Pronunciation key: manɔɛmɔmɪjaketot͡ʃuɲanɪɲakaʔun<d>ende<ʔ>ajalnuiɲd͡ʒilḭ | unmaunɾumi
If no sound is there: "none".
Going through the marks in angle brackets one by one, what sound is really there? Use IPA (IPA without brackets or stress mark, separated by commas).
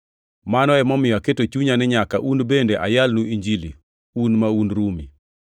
b, ʔ